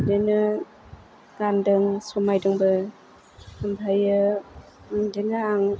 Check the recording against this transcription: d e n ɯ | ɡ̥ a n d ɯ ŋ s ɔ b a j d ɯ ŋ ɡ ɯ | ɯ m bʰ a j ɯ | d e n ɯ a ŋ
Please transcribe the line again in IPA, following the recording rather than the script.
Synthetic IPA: d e n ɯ | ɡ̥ a n d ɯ ŋ s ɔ m a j d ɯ ŋ b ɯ | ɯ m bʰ a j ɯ | d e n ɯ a ŋ